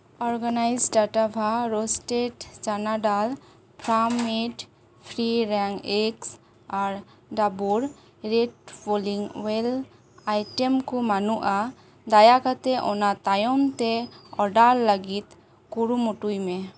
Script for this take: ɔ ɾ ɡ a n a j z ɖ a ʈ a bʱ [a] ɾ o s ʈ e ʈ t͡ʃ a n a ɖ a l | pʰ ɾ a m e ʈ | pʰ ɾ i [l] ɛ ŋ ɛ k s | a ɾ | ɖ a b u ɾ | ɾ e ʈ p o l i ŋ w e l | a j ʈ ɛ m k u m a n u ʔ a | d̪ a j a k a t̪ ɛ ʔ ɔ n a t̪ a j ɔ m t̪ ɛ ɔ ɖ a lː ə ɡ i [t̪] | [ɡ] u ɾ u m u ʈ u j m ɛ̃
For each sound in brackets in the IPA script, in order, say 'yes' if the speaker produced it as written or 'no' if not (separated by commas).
yes, no, yes, no